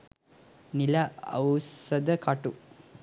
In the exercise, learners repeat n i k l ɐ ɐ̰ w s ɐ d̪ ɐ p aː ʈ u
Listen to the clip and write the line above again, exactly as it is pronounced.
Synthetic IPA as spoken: n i l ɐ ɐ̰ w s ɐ d̪ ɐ k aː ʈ u